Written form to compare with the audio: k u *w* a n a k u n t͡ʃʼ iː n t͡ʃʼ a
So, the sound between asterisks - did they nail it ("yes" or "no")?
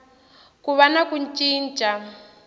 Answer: no